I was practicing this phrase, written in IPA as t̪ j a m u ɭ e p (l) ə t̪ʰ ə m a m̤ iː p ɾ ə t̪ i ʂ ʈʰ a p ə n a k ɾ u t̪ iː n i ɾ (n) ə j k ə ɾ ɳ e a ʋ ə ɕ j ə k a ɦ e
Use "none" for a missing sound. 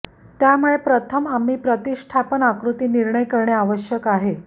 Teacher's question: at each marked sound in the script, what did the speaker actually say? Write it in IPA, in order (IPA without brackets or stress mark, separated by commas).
ɾ, ɳ